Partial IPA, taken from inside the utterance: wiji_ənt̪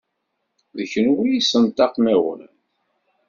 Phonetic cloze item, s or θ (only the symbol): s